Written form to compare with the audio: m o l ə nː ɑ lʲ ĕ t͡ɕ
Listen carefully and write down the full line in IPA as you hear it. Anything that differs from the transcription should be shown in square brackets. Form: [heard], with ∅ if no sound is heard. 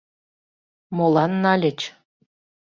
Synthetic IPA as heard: m o l [ɑ] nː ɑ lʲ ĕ t͡ɕ